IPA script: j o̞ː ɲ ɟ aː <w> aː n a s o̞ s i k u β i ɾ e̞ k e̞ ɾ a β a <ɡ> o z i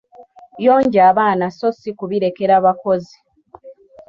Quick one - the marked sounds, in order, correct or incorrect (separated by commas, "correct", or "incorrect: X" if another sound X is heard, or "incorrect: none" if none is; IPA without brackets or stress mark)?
incorrect: β, incorrect: k